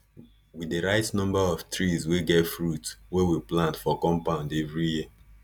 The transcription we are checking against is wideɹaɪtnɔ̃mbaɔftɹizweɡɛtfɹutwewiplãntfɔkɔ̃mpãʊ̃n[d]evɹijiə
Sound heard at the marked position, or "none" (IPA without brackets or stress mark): d